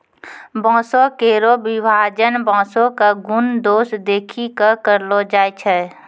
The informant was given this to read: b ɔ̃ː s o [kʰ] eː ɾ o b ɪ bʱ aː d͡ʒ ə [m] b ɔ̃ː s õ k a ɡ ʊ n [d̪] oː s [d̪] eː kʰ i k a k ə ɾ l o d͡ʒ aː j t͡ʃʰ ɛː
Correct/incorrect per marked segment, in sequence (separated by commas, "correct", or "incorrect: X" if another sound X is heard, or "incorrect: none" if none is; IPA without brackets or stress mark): incorrect: k, incorrect: n, correct, correct